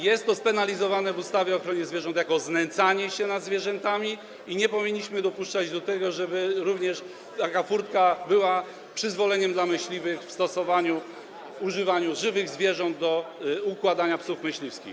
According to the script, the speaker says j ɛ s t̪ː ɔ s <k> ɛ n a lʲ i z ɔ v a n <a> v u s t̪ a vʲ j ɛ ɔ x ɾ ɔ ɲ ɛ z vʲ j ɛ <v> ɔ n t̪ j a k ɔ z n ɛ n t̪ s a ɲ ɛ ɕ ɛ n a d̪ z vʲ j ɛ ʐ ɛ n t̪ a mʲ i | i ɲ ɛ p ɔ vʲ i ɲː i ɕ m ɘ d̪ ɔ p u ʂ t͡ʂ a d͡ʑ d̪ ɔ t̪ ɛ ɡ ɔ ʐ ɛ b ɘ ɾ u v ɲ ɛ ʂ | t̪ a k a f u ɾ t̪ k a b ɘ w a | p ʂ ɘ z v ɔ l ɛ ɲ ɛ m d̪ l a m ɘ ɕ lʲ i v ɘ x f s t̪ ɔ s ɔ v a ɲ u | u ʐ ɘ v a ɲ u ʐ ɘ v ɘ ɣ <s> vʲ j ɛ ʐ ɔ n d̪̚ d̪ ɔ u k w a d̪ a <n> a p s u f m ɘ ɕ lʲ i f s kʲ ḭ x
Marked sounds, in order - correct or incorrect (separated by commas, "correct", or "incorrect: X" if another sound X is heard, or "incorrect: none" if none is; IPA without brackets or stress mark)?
incorrect: p, incorrect: ɛ, incorrect: ʐ, incorrect: z, incorrect: ɲ